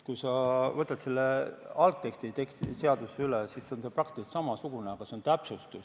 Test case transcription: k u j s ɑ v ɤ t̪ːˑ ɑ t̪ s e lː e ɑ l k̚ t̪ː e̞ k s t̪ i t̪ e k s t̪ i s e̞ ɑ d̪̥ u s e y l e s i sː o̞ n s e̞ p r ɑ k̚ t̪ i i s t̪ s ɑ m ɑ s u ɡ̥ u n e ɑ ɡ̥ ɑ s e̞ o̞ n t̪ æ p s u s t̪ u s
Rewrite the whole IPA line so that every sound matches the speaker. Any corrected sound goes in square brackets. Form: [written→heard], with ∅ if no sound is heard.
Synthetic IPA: k u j s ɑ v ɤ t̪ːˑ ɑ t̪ s e lː e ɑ l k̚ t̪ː e̞ k s t̪ i t̪ e k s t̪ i s e̞ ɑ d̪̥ u s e y l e s i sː o̞ n s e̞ p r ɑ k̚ t̪ i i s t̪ s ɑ m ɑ s u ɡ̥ u n e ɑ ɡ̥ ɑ s e̞ o̞ n t̪ æ p s u s t̪ u s